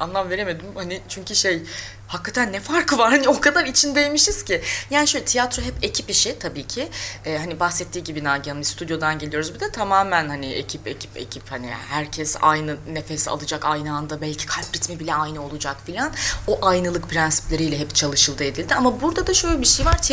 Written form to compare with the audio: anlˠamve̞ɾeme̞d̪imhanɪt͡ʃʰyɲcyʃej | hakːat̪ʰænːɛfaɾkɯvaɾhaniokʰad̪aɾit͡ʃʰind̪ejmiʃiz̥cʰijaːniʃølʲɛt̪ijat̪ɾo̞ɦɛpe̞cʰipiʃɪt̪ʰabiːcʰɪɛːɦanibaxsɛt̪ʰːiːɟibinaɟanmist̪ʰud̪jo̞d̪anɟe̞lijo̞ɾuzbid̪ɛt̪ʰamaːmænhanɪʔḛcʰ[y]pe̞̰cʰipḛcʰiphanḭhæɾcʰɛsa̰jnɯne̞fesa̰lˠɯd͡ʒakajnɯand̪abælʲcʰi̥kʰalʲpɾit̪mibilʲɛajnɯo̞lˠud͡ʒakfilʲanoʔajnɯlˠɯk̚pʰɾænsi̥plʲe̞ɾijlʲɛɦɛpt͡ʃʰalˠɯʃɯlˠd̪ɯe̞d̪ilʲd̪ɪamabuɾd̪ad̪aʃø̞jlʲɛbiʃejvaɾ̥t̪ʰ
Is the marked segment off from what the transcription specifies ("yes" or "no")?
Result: yes